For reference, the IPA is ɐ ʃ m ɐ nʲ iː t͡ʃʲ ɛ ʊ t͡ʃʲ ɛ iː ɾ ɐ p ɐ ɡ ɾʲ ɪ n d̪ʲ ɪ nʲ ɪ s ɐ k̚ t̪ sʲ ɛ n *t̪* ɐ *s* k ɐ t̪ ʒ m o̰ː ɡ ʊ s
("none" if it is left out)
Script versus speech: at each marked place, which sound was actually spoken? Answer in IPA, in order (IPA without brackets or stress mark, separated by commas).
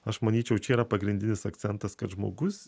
t̪, s